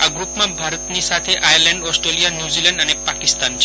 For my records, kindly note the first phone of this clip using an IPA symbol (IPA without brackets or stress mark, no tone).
a